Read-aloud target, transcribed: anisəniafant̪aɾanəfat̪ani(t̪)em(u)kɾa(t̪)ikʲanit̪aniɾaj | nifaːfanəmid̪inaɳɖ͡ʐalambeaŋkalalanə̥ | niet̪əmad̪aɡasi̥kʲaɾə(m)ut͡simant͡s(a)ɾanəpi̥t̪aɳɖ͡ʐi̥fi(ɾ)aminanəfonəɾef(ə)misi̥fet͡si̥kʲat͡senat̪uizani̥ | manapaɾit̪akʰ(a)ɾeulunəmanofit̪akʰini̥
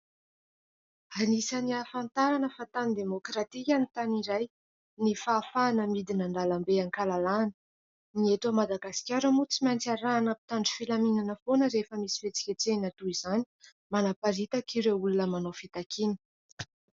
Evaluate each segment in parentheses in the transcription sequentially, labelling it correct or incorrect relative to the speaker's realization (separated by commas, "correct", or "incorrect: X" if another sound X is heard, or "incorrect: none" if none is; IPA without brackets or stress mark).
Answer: incorrect: d̪, incorrect: o, correct, correct, correct, incorrect: l, correct, incorrect: i